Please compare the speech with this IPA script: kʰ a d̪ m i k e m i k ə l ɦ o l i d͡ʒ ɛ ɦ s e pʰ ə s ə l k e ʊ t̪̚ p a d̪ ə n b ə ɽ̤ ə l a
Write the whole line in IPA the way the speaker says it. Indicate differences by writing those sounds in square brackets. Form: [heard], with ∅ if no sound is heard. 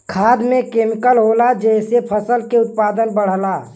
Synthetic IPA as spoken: kʰ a d̪ m [e] k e m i k ə l ɦ o l [a] d͡ʒ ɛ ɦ s e pʰ ə s ə l k e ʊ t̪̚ p a d̪ ə n b ə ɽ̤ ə l a